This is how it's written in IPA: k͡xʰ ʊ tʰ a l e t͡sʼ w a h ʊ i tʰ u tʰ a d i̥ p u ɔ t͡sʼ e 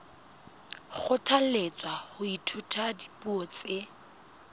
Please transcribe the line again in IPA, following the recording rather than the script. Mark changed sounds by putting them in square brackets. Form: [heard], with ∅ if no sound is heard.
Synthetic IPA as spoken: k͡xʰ ʊ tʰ a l e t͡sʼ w a h ʊ i tʰ u tʰ a d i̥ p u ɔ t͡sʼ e